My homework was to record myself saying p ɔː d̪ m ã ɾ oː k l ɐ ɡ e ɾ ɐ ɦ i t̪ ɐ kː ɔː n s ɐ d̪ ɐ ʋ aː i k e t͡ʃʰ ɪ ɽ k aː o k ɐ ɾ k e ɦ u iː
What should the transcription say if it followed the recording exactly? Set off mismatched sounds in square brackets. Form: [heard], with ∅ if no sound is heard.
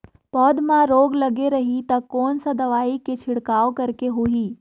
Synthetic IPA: p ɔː d̪ m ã ɾ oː [ɡ] l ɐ ɡ e ɾ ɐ ɦ i t̪ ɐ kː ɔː n s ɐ d̪ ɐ ʋ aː i k e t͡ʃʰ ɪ ɽ k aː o k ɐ ɾ k e ɦ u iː